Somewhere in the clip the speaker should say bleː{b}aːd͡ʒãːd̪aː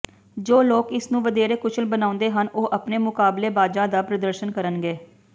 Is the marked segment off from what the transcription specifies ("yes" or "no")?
no